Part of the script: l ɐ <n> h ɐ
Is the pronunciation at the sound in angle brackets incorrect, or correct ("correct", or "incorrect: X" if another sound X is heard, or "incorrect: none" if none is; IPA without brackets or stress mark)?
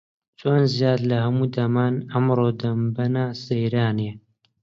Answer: incorrect: none